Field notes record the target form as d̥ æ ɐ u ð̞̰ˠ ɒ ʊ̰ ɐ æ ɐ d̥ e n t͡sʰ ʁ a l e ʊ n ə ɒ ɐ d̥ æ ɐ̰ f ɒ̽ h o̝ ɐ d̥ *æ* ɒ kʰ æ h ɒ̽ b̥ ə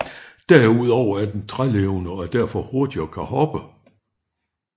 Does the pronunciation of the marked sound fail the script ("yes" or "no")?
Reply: yes